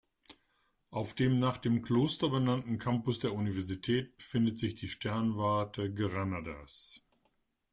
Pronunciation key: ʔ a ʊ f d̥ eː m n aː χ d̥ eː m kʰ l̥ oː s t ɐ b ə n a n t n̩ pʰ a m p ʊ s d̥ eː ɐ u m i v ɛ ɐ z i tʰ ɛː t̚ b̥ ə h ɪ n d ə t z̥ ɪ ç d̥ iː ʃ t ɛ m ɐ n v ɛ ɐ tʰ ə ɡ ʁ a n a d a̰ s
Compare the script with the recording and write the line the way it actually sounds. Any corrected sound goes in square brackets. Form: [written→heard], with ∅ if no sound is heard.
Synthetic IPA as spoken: ʔ a ʊ f d̥ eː m n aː χ d̥ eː m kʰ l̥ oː s t ɐ b ə n a n t n̩ [pʰ→kʰ] a m p ʊ s d̥ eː ɐ u [m→n] i v ɛ ɐ z i tʰ ɛː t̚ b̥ ə [h→f] ɪ n d ə t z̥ ɪ ç d̥ iː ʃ t ɛ [m→∅] ɐ n v [ɛ→a] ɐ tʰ ə ɡ ʁ a n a d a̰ s